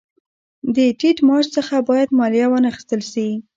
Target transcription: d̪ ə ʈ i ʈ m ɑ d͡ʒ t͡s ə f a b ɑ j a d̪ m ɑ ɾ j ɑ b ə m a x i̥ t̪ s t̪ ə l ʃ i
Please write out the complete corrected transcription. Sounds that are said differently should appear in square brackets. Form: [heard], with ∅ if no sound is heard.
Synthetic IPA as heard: d̪ ə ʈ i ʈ m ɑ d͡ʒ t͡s ə [x] a b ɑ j a d̪ m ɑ [l] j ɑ [w] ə [n] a x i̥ [∅] s t̪ ə l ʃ i